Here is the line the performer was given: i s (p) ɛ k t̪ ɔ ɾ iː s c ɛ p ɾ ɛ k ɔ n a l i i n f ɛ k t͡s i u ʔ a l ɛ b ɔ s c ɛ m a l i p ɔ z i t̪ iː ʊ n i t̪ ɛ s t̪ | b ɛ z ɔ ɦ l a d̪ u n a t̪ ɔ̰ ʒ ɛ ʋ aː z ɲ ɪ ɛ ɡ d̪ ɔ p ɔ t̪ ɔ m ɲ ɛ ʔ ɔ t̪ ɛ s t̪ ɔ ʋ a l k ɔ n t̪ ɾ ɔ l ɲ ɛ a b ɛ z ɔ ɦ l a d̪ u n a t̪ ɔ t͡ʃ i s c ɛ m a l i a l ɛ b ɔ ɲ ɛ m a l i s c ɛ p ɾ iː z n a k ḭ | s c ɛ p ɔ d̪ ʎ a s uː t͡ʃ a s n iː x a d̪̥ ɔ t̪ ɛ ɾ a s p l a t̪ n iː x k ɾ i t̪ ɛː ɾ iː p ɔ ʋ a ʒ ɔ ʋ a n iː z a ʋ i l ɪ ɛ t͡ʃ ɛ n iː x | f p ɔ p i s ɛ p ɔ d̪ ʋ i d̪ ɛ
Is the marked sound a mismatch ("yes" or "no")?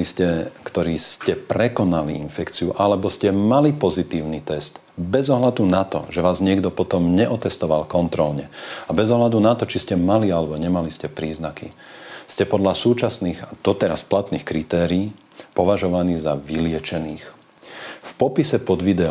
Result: yes